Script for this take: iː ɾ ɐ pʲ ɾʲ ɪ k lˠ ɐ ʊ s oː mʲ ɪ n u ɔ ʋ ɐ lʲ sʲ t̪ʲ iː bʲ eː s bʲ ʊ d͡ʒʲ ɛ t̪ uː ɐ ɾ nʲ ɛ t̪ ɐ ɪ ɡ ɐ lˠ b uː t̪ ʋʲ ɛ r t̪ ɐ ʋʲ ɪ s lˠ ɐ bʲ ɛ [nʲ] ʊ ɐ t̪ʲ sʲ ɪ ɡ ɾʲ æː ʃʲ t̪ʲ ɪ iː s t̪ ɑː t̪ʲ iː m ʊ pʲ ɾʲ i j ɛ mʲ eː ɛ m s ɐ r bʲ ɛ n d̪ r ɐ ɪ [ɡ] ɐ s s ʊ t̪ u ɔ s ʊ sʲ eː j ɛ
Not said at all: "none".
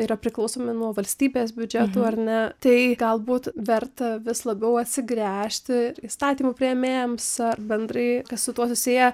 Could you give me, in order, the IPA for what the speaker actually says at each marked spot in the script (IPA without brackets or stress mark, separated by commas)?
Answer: none, k